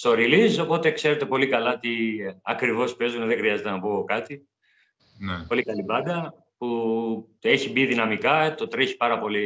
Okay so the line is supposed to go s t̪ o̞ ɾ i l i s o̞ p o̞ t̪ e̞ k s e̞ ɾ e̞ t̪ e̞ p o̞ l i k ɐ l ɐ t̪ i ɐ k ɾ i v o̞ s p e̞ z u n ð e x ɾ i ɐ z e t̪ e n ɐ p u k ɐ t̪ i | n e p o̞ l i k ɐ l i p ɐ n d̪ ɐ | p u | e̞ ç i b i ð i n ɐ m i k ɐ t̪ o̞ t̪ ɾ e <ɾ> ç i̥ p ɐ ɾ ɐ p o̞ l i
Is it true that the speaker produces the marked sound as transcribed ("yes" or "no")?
no